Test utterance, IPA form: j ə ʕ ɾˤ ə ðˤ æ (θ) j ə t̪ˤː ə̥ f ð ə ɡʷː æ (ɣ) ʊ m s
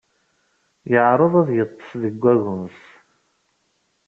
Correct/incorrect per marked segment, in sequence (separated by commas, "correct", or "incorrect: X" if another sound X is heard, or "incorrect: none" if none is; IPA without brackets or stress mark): incorrect: ð, correct